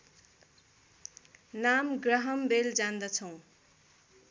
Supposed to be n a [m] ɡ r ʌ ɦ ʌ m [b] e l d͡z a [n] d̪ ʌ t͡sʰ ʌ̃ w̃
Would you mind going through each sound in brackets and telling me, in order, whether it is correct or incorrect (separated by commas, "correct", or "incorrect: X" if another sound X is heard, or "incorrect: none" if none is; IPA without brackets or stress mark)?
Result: correct, correct, correct